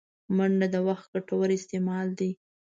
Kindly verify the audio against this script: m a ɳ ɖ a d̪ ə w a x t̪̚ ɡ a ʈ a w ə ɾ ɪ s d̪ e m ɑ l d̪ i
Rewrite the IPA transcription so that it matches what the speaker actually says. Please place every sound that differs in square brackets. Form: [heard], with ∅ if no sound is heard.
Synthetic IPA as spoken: m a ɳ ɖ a d̪ ə w a x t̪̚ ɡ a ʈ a w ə ɾ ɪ s [t̪] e m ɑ l d̪ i